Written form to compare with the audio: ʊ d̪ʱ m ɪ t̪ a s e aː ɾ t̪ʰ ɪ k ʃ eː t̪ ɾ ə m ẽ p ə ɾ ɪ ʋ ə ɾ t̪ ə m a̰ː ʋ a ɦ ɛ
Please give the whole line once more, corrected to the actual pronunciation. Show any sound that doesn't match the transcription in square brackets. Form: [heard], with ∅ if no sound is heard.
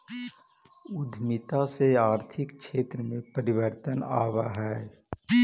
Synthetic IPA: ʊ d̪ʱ m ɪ t̪ a s e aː ɾ t̪ʰ ɪ k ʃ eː t̪ ɾ ə m ẽ p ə ɾ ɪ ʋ ə ɾ t̪ ə [n] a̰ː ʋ a ɦ [ɛː]

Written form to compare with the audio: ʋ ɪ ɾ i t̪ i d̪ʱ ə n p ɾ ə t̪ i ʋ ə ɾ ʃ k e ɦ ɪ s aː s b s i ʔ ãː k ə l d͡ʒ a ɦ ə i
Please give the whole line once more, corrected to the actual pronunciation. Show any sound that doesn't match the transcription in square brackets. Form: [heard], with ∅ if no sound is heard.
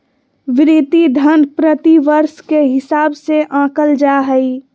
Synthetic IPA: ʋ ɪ ɾ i t̪ i d̪ʱ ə n p ɾ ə t̪ i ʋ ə ɾ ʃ k e ɦ ɪ s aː [∅] b s [e] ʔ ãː k ə l d͡ʒ a ɦ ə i

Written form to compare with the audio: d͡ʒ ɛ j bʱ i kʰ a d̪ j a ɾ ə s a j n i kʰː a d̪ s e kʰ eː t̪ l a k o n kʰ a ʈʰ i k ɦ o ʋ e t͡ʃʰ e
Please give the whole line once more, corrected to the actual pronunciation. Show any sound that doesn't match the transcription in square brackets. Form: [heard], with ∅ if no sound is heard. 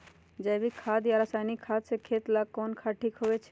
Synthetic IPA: d͡ʒ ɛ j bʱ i kʰ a d̪ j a ɾ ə s a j n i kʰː a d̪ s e kʰ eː t̪ l a k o n kʰ a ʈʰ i k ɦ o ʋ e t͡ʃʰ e

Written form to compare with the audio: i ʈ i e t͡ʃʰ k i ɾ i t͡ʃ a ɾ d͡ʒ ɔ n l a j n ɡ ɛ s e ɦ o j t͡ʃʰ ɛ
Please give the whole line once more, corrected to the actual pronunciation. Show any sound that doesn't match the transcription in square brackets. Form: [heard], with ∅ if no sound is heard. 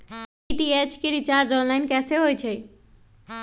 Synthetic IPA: i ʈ i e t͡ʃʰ k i ɾ i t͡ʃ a ɾ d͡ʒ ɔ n l a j n [k] ɛ s e ɦ o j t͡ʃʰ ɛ

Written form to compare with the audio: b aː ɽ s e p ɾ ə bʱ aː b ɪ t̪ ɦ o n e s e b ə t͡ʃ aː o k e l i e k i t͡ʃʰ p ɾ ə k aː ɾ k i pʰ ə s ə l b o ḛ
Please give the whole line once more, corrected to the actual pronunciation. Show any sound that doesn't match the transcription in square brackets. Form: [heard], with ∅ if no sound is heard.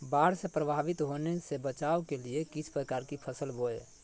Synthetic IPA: b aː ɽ s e p ɾ ə bʱ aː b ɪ t̪ ɦ o n e s e b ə t͡ʃ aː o k e l i e k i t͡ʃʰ p ɾ ə k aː ɾ k i pʰ ə s ə l b o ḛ

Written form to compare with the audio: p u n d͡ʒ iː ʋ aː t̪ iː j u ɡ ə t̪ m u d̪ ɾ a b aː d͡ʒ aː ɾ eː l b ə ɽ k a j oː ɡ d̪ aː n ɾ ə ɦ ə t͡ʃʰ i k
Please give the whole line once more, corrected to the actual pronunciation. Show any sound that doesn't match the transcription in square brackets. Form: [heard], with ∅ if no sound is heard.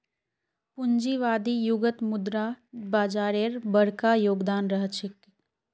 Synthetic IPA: p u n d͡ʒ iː ʋ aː [d̪] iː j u ɡ ə t̪ m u d̪ ɾ a b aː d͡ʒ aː ɾ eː [ɾ] b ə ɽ k a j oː ɡ d̪ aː n ɾ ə ɦ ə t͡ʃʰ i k

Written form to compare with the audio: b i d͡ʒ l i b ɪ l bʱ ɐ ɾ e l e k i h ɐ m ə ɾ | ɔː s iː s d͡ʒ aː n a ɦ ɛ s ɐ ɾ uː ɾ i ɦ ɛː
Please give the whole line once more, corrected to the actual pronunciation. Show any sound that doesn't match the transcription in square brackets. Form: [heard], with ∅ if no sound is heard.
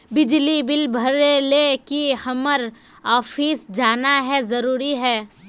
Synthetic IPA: b [ɪ] d͡ʒ l i b ɪ l bʱ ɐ ɾ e l e k i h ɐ m ə ɾ | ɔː [f] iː s d͡ʒ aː n a ɦ ɛ [z] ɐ ɾ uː ɾ i ɦ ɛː

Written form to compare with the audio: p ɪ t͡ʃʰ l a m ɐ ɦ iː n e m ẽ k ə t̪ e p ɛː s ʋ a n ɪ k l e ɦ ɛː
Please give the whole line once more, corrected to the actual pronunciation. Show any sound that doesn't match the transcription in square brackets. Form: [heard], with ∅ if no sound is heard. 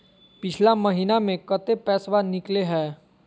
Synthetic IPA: p ɪ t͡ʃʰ l a m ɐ ɦ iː n [a] m ẽ k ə t̪ e p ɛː s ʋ a n ɪ k l e ɦ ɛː

